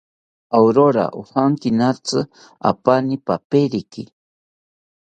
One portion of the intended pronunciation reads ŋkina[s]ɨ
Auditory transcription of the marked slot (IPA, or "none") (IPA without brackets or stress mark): t͡s